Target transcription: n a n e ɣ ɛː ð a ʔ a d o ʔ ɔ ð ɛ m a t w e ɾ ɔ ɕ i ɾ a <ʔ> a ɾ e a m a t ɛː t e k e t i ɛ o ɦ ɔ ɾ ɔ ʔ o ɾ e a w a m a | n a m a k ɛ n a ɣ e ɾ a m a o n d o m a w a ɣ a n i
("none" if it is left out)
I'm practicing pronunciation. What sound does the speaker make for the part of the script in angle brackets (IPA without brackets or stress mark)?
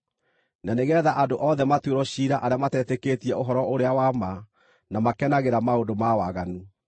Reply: ʔ